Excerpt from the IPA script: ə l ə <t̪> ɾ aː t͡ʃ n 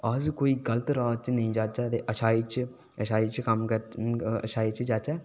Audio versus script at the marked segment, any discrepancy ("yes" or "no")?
no